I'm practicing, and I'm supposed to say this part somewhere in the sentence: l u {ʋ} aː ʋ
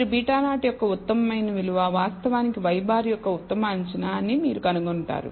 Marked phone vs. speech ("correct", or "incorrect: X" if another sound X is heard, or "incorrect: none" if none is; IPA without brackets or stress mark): correct